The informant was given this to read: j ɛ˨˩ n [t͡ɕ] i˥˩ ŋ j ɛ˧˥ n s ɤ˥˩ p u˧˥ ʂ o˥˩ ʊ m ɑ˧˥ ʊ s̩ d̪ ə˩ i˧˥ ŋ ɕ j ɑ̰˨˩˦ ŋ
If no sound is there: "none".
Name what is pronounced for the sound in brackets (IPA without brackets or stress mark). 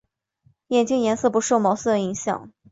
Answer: t͡ɕ